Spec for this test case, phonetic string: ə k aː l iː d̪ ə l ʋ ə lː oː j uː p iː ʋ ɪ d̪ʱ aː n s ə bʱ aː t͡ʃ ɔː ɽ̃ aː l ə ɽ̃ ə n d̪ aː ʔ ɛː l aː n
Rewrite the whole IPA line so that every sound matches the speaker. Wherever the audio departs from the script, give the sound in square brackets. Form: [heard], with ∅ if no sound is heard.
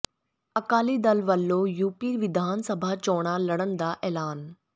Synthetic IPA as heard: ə k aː l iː d̪ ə l ʋ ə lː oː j uː p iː ʋ ɪ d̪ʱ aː n s ə bʱ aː t͡ʃ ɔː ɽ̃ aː l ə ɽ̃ ə n d̪ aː ʔ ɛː l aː n